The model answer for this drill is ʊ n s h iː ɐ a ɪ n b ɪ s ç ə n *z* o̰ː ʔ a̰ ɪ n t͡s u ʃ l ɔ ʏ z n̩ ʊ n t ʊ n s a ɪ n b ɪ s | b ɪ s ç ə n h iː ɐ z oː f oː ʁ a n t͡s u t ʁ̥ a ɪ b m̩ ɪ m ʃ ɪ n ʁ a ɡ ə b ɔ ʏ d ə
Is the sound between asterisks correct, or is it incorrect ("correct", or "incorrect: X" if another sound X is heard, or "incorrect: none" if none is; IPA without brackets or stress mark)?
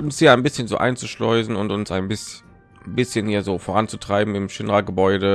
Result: correct